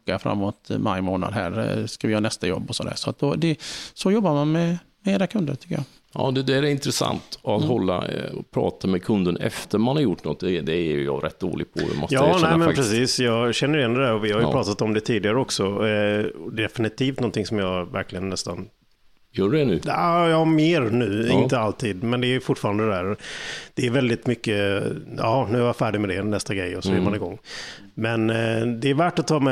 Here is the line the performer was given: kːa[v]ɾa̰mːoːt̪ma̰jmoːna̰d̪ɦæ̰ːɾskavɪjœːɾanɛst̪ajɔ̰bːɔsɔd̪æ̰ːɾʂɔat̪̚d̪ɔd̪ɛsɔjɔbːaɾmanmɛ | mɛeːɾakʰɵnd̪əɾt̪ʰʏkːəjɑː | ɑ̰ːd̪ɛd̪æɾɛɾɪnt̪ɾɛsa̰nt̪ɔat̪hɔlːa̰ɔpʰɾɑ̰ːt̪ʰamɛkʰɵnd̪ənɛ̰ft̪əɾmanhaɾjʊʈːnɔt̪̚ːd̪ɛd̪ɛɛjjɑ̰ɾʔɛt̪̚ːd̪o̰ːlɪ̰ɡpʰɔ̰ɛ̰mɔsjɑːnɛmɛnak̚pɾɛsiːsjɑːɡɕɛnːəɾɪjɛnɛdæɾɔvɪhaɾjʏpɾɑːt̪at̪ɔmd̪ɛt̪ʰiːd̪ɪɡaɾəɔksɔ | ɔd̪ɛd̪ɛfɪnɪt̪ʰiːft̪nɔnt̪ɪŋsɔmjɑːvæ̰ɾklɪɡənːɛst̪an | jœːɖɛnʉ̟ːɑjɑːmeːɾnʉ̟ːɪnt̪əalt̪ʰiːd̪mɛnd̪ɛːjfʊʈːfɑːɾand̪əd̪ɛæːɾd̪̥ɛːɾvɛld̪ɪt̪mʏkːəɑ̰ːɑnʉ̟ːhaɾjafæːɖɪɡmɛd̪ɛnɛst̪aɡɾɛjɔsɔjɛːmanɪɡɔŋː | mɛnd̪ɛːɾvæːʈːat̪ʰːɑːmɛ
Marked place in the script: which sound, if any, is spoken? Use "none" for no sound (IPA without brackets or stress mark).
f